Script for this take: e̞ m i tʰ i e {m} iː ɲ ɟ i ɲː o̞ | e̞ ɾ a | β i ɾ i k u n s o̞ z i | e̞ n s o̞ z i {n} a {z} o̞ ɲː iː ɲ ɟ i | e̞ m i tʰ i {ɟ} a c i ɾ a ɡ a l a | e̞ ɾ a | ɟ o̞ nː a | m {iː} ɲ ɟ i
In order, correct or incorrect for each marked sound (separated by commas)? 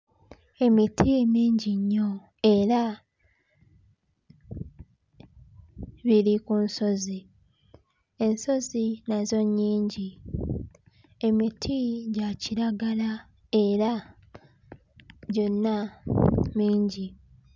correct, correct, correct, correct, correct